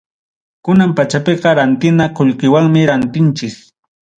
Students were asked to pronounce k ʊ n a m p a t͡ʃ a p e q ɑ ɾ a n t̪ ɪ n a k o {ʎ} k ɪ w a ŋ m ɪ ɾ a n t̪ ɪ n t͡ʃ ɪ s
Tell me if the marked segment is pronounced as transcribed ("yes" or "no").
yes